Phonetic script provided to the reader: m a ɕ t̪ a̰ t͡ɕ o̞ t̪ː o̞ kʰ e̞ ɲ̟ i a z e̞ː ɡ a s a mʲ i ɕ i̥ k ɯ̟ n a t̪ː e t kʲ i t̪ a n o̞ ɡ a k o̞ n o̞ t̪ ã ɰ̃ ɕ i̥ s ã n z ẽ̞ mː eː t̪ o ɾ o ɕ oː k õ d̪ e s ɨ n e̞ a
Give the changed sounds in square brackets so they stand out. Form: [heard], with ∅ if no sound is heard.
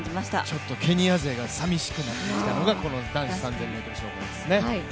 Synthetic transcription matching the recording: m a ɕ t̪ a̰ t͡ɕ o̞ t̪ː o̞ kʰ e̞ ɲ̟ i a z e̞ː ɡ a s a mʲ i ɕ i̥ k ɯ̟ n a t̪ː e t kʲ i t̪ a n o̞ ɡ a k o̞ n o̞ [d̪] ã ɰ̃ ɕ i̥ s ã n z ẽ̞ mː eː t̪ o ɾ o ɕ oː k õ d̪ e s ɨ n e̞ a